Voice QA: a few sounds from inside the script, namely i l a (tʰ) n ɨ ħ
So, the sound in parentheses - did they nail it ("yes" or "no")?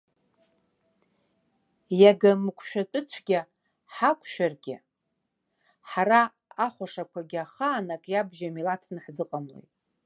yes